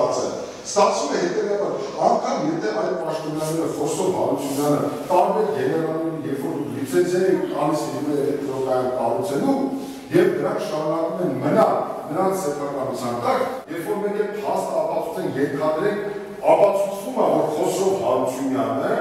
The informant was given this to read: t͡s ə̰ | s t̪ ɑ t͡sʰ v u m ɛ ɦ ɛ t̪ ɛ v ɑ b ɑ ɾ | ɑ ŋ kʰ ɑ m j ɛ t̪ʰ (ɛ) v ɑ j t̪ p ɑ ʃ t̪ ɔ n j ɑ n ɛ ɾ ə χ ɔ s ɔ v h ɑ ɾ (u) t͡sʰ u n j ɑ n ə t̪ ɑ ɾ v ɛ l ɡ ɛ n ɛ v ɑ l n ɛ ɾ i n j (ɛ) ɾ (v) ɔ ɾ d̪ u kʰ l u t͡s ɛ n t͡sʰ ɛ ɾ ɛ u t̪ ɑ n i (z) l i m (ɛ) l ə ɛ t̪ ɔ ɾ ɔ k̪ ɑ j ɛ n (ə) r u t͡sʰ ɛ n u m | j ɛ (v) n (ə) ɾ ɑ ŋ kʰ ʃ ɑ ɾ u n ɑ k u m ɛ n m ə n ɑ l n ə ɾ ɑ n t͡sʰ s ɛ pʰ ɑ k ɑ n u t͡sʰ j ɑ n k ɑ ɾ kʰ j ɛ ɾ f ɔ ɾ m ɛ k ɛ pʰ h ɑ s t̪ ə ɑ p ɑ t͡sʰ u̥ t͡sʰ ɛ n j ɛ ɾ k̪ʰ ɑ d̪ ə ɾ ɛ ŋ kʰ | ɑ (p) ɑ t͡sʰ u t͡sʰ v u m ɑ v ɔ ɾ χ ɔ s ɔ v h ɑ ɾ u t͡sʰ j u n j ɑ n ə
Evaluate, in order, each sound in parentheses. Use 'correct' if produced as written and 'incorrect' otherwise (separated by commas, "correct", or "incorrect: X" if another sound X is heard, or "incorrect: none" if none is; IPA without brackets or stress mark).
correct, correct, correct, incorrect: f, incorrect: s, correct, incorrect: ɑ, correct, correct, correct